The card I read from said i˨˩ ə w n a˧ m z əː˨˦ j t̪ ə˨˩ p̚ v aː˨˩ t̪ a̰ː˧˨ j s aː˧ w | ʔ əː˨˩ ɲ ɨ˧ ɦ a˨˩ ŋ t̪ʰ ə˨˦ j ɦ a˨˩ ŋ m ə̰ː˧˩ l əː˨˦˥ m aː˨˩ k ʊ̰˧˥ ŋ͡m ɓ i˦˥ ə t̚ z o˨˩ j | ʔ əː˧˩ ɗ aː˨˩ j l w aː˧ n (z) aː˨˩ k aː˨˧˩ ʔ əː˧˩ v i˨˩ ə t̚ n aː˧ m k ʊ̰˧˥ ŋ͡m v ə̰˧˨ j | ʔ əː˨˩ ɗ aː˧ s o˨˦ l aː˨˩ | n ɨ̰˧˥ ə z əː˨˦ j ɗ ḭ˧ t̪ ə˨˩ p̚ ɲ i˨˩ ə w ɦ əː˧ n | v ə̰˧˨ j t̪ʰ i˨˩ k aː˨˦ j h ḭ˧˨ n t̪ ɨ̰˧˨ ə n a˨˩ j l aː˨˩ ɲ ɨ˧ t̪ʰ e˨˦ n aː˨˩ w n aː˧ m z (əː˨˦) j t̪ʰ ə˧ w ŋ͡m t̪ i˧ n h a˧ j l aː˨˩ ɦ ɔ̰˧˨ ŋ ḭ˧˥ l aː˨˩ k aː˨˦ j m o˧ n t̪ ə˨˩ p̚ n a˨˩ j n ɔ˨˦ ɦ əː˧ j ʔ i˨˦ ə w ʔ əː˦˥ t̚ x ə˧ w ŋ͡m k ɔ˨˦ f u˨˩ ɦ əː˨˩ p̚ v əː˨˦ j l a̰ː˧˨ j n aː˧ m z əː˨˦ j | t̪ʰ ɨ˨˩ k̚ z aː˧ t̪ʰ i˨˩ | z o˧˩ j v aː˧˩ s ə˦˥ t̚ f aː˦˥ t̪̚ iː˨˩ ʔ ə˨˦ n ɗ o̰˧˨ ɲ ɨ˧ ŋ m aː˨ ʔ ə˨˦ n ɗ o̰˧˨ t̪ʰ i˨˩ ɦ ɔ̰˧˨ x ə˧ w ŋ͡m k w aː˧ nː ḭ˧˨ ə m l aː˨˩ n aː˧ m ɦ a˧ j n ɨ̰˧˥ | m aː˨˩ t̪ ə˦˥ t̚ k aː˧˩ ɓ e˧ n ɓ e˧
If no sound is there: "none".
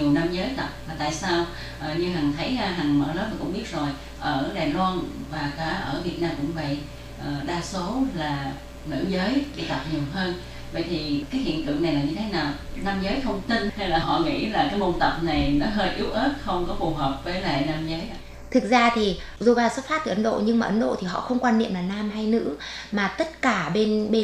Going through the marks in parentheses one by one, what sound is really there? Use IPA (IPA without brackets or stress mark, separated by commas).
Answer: v, əː˨˦